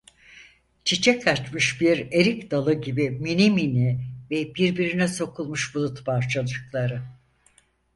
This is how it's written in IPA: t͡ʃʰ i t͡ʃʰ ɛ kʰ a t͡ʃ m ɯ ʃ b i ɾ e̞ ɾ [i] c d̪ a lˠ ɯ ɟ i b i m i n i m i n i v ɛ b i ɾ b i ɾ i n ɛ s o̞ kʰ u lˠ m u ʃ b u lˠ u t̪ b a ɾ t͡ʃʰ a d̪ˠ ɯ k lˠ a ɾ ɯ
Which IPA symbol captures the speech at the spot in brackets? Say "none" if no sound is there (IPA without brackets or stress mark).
i